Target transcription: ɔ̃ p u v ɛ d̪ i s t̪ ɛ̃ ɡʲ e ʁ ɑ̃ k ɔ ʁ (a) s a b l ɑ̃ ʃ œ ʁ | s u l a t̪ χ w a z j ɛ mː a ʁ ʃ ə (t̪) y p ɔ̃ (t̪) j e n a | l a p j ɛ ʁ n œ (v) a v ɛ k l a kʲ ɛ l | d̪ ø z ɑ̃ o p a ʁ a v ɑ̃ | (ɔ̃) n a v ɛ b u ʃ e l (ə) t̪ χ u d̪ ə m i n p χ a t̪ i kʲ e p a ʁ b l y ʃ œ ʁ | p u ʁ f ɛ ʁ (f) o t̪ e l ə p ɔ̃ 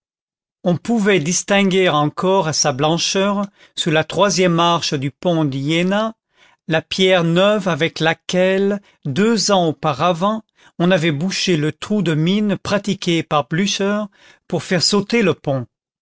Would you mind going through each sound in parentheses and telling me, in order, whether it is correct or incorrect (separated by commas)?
correct, incorrect, incorrect, correct, correct, correct, incorrect